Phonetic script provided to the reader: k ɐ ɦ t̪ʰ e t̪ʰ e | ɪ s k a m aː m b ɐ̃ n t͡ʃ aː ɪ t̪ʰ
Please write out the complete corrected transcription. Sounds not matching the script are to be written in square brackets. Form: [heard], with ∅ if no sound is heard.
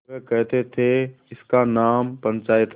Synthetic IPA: k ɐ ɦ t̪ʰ e t̪ʰ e | ɪ s k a [n] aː m [p] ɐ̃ n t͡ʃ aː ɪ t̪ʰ